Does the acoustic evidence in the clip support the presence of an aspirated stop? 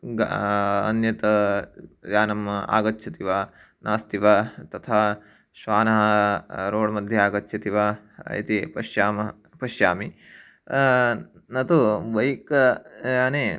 yes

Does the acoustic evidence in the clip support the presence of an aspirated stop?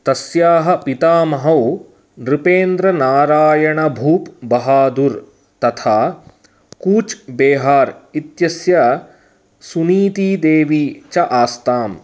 yes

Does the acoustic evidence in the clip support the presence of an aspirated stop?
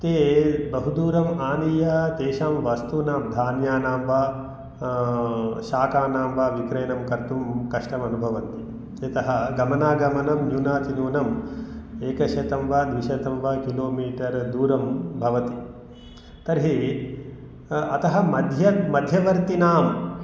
no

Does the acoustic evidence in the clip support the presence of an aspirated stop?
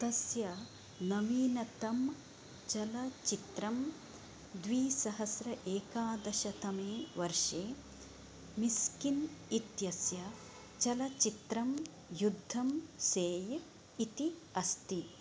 no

